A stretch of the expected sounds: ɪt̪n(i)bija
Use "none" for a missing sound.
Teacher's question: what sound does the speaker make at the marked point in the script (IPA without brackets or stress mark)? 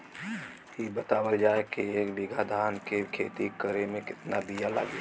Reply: a